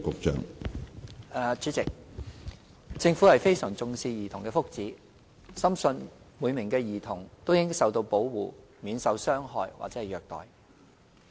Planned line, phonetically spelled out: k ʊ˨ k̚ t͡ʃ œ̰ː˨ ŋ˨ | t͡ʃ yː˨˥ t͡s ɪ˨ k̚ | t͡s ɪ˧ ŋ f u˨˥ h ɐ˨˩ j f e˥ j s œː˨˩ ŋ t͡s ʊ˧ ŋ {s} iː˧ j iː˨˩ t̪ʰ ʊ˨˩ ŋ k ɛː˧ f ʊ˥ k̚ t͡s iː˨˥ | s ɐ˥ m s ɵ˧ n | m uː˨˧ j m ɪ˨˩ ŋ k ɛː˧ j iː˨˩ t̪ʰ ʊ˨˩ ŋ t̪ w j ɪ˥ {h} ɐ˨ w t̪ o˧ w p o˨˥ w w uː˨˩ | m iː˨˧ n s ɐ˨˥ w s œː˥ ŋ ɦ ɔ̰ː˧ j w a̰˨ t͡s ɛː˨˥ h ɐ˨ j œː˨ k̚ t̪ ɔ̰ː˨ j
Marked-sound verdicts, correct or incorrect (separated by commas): correct, incorrect